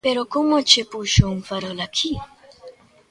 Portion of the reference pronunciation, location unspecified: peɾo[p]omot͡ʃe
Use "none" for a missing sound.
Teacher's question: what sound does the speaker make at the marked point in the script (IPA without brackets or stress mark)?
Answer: k